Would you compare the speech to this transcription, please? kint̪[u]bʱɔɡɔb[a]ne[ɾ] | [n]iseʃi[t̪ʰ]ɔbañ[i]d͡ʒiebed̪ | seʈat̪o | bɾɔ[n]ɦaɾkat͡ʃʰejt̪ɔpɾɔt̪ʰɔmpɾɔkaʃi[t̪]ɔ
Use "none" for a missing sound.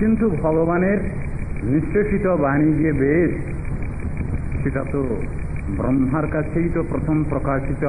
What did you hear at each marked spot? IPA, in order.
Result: u, a, ɾ, n, t̪, i, m, t̪

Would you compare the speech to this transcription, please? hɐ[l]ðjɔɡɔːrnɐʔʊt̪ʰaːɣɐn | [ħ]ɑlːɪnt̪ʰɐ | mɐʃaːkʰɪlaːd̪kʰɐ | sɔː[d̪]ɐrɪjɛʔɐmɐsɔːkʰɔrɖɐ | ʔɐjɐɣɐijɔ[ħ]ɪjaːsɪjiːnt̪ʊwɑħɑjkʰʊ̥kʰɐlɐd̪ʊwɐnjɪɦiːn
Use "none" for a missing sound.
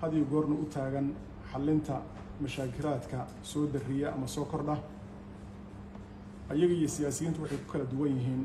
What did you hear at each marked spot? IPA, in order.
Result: none, ħ, d̪, s

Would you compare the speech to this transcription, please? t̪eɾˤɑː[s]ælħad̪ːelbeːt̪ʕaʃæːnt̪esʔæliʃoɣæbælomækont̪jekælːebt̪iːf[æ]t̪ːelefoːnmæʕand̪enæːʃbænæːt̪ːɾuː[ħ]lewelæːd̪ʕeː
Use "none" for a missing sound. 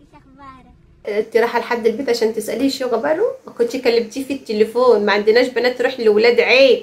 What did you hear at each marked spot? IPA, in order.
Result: ħ, i, ħ

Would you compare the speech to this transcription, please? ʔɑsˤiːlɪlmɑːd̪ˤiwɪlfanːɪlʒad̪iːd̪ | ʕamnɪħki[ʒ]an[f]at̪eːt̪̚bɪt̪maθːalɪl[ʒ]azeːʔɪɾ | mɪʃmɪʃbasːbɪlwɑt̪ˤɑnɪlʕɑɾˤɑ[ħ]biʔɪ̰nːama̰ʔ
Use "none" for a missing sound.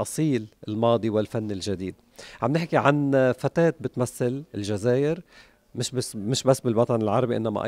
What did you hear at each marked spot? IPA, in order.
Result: ʕ, f, ʒ, none

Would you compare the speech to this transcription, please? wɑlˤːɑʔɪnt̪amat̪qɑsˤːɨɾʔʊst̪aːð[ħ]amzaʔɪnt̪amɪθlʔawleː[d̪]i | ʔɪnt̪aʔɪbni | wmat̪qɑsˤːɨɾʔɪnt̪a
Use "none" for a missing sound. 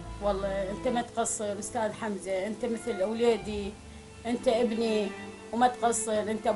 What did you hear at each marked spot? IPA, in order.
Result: ħ, d̪

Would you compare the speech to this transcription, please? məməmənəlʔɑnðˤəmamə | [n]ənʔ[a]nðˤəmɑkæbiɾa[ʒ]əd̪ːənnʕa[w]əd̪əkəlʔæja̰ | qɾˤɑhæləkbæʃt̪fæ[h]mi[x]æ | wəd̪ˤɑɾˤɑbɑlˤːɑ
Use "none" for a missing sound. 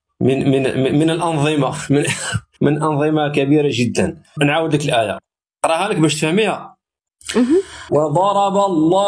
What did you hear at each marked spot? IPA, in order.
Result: m, ɑ, ʒ, w, h, h

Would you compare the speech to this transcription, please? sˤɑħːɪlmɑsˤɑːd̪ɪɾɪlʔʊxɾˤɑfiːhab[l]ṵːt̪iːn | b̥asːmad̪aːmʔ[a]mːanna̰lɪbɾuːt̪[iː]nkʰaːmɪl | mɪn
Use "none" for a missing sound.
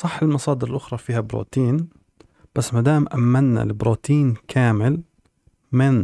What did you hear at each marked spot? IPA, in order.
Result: ɾ, a, iː

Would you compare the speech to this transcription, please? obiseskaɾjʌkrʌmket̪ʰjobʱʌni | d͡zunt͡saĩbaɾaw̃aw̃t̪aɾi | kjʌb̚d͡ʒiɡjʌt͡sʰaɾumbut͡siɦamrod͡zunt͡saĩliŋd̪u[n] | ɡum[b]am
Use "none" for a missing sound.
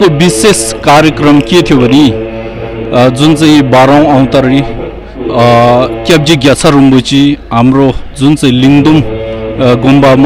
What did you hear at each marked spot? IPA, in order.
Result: m, b

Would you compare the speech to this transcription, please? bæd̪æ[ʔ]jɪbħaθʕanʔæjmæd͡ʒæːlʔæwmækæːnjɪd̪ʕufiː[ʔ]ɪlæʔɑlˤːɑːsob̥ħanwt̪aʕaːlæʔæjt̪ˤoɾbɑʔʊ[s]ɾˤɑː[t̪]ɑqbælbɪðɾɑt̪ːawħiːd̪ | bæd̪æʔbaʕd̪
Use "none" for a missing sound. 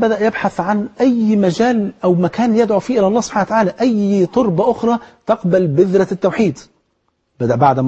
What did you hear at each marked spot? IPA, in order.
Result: ʔ, ʔ, x, t̪

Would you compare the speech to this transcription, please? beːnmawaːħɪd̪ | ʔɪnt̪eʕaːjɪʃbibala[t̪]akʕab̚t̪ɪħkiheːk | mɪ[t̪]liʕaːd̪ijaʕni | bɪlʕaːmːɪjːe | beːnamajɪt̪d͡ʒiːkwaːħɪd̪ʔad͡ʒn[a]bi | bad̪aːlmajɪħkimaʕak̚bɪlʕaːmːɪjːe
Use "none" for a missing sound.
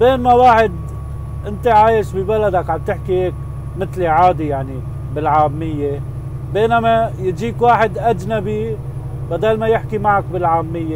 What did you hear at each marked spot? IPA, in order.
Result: d̪, t̪, a

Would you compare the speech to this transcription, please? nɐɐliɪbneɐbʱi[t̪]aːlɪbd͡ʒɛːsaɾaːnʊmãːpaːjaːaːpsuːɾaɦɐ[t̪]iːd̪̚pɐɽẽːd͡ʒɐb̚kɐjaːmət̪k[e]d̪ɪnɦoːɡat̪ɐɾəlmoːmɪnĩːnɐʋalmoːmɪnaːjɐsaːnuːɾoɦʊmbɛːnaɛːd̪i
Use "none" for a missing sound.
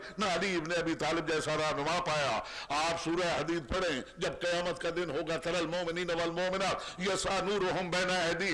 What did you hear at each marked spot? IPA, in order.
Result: t̪, d̪, a

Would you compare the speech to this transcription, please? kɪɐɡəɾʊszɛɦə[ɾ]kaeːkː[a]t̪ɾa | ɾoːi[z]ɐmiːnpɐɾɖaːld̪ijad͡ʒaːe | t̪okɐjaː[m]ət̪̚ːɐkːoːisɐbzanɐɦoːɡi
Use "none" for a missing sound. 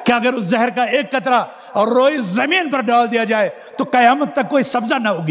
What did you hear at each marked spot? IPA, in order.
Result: ɾ, ɐ, z, m

